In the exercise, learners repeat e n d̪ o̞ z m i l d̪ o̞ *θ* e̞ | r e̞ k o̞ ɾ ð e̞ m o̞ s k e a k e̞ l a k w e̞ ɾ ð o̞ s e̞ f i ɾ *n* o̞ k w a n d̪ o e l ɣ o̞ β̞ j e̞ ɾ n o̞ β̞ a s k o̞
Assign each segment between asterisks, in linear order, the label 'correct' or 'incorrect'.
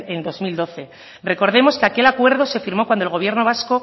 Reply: correct, incorrect: m

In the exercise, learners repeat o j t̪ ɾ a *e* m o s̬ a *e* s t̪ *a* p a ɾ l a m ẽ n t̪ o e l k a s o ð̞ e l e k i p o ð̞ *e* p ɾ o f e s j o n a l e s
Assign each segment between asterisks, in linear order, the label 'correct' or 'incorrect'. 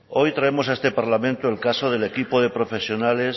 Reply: correct, correct, incorrect: e, correct

